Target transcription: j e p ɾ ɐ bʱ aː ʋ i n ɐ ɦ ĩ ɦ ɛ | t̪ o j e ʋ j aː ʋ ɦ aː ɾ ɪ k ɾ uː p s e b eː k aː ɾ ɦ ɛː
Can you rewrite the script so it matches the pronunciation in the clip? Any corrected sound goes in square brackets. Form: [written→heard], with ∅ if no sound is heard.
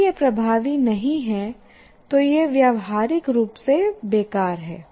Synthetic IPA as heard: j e p ɾ ɐ bʱ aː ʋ i n ɐ ɦ ĩ ɦ ɛ | t̪ o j e ʋ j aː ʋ ɦ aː ɾ ɪ k ɾ uː p s e b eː k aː ɾ ɦ ɛː